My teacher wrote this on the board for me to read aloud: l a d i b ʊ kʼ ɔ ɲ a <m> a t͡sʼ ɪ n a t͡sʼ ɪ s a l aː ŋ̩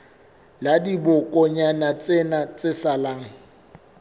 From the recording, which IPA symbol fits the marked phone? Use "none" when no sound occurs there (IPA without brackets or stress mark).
n